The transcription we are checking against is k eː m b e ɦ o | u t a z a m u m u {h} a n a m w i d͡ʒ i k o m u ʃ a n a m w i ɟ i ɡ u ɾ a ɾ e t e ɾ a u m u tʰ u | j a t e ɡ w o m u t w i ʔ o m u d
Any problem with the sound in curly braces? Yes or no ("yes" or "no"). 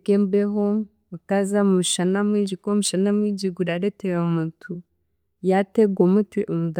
yes